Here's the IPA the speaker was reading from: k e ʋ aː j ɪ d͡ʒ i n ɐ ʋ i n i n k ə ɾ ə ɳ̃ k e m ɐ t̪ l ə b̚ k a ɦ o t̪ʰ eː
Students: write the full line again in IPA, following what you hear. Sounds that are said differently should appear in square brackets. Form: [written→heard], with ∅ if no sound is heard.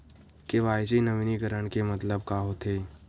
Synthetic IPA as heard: k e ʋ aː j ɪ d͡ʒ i n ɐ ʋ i n i [n→∅] k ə ɾ ə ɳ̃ k e m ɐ t̪ l ə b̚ k a ɦ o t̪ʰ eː